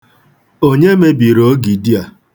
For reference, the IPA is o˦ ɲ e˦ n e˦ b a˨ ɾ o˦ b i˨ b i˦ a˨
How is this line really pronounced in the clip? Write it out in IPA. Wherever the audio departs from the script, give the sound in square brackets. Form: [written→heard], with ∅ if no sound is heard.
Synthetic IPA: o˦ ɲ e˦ [n→m] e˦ b [a˨→i˨] ɾ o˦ [b→ɡ] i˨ [b→d] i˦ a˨

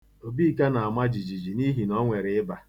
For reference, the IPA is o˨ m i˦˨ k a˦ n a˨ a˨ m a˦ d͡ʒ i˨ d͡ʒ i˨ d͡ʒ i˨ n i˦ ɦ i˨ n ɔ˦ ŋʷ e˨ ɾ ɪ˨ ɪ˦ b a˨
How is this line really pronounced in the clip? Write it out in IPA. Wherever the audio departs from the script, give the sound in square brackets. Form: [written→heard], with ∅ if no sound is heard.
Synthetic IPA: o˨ [m→b] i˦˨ k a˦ n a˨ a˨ m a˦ d͡ʒ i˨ d͡ʒ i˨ d͡ʒ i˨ n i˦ ɦ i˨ n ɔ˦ ŋʷ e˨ ɾ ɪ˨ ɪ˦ b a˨

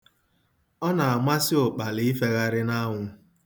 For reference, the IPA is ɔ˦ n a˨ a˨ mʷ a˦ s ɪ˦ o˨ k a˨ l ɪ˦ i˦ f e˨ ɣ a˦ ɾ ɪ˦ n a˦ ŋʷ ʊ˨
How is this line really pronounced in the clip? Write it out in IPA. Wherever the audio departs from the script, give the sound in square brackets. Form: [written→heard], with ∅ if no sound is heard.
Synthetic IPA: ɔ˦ n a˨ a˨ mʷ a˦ s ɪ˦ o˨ [k→k͡p] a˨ l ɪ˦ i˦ f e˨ ɣ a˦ ɾ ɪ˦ n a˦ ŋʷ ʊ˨

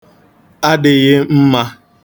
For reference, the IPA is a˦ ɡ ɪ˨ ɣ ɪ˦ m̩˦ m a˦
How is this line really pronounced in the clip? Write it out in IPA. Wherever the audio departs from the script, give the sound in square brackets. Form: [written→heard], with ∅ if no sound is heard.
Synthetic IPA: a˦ [ɡ→d] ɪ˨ ɣ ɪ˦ m̩˦ m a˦

